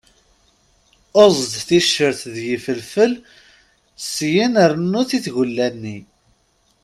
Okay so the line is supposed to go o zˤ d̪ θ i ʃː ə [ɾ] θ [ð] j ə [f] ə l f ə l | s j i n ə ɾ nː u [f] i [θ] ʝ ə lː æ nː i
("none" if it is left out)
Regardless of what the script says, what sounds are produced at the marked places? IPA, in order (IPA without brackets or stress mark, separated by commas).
ɾ, ð, f, θ, θ